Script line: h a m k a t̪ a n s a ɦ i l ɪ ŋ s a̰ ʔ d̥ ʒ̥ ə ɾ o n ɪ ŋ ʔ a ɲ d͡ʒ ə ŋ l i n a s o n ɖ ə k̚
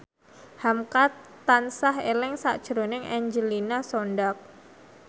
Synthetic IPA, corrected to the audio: h a m k a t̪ a n s a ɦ e l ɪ ŋ s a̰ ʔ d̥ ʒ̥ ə ɾ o n ɪ ŋ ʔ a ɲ d͡ʒ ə l i n a s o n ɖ a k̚